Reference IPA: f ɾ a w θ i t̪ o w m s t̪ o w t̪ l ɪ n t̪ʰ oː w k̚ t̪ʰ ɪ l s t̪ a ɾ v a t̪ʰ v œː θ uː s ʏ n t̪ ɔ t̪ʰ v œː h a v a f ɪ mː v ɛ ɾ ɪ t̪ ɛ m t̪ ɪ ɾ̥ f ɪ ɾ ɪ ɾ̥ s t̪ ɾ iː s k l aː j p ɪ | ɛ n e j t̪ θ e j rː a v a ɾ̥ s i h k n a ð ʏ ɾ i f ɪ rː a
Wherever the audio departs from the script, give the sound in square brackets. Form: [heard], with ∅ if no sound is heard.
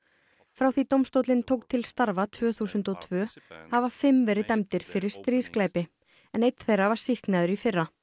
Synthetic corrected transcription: f ɾ a w θ i t̪ o w m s t̪ o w t̪ l ɪ n t̪ʰ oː w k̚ t̪ʰ ɪ l s t̪ a ɾ v a t̪ʰ v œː θ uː s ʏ n t̪ ɔ t̪ʰ v œː h a v a f ɪ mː v ɛ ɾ ɪ t̪ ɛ m t̪ ɪ ɾ̥ f ɪ ɾ ɪ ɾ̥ s t̪ ɾ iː s k l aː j p ɪ | ɛ n e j t̪ θ e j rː a v a ɾ̥ s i h k n a ð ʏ ɾ i f ɪ rː a